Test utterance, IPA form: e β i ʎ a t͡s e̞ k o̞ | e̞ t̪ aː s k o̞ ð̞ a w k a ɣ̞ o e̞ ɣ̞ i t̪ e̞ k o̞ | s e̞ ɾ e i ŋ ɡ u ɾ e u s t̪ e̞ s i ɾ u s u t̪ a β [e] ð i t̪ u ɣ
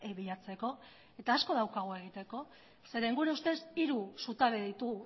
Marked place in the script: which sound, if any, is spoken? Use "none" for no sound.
e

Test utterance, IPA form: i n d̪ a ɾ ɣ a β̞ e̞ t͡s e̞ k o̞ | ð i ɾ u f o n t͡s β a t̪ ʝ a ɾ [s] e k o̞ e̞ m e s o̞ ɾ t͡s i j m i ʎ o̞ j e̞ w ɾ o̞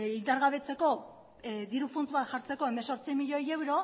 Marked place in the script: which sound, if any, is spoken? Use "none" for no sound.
t͡s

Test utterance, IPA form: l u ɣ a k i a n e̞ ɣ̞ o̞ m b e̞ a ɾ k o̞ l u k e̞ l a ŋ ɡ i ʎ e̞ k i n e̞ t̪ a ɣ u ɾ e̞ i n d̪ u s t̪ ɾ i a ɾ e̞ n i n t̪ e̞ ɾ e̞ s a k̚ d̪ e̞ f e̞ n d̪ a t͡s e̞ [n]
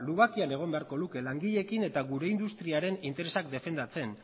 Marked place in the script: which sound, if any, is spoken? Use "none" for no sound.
n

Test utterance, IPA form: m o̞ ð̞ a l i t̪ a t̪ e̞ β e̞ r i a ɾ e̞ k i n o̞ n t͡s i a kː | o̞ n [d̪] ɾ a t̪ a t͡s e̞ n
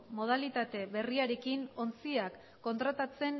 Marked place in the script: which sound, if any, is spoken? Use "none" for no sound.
t̪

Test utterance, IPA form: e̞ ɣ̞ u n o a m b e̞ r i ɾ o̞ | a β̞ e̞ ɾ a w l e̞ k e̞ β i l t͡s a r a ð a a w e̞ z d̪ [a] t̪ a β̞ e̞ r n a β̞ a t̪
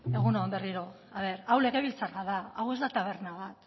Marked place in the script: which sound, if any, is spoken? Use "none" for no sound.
a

